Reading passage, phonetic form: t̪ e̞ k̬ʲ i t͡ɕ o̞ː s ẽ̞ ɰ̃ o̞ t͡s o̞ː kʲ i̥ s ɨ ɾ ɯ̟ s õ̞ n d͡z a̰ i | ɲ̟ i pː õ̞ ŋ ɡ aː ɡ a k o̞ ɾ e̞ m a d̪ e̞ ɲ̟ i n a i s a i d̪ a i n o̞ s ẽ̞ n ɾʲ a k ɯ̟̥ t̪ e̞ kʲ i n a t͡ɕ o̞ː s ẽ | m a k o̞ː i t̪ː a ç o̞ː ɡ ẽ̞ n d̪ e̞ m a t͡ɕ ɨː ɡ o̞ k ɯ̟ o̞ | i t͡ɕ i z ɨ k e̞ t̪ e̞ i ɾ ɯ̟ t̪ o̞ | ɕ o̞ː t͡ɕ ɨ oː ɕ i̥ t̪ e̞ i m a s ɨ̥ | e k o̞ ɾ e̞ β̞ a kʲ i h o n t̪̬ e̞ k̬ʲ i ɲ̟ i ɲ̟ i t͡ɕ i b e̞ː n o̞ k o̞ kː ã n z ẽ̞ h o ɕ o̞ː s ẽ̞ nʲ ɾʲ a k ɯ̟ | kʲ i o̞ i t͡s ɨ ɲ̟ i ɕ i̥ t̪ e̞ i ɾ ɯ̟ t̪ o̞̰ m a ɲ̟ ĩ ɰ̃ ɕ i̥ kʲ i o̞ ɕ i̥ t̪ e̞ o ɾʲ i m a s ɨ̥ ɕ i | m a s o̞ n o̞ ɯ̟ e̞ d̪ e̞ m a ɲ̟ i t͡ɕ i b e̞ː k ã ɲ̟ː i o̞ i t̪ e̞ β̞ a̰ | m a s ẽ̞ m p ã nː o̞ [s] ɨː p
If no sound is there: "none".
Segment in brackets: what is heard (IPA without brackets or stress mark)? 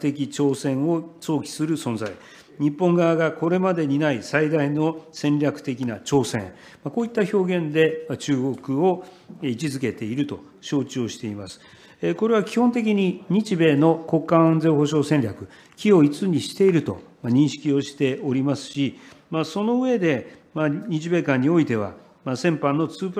t͡s